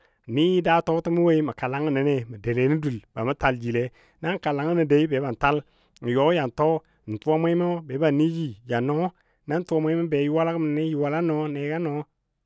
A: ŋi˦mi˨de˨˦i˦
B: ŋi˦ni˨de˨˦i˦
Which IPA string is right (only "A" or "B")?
B